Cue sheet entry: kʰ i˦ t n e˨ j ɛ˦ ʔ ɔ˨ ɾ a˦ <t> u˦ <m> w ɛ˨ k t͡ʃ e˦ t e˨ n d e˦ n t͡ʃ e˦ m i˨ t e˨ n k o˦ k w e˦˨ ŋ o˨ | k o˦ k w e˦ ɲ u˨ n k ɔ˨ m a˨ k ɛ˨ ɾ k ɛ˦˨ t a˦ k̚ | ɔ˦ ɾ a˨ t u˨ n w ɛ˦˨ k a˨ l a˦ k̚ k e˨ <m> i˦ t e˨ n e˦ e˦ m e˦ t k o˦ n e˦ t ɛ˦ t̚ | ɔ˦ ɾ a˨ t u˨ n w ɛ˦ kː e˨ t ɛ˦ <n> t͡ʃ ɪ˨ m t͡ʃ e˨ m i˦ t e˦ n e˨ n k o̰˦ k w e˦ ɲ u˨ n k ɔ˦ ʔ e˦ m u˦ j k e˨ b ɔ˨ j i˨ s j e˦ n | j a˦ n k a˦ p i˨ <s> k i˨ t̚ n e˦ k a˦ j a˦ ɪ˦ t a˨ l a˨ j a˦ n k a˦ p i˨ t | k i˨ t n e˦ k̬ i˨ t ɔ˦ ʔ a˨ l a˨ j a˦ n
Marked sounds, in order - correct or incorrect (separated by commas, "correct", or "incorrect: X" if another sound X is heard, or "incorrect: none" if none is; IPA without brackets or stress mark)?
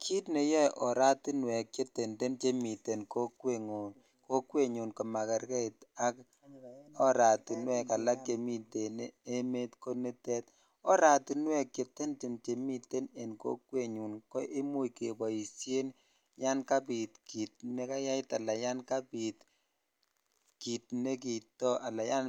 correct, incorrect: n, correct, correct, incorrect: t